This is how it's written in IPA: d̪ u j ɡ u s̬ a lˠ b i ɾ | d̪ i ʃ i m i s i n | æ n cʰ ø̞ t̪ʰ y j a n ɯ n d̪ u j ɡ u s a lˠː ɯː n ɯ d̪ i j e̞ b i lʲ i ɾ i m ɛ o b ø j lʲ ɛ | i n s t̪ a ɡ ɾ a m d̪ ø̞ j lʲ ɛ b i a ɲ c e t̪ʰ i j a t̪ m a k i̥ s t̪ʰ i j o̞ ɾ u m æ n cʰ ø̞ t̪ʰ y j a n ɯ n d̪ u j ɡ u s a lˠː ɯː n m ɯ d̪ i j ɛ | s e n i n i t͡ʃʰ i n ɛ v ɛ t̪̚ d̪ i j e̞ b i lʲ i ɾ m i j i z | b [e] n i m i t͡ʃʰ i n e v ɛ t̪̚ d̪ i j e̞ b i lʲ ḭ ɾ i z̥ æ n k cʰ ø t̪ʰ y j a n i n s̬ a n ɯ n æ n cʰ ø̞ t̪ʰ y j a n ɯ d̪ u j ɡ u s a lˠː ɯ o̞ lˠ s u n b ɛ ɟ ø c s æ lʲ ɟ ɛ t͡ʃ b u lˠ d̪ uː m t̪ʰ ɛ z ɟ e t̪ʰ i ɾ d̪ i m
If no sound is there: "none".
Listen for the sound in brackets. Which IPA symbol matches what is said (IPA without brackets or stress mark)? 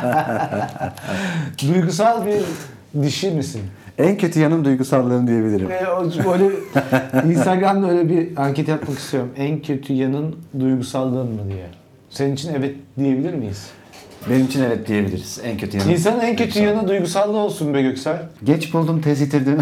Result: e